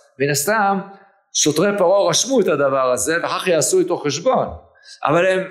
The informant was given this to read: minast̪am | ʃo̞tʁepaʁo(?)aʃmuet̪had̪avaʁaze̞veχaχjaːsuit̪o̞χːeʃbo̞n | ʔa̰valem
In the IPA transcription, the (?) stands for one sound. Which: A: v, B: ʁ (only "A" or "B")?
B